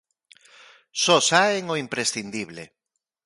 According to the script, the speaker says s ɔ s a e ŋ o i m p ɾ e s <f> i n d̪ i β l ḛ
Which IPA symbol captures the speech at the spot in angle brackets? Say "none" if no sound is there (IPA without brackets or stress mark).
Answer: θ